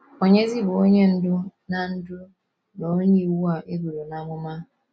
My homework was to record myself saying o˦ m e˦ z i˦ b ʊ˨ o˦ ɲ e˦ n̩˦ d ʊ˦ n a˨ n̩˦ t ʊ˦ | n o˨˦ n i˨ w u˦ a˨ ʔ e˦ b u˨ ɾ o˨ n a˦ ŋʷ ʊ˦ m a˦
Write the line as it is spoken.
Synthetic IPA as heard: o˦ ɲ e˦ z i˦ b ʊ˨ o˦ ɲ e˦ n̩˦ d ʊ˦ n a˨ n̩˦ d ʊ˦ | n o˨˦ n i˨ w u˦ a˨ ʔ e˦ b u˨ ɾ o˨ n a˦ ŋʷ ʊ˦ m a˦